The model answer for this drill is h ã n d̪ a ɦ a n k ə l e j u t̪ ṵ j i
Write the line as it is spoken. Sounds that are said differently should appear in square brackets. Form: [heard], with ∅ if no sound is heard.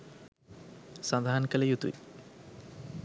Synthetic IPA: [s] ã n d̪ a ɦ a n k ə l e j u t̪ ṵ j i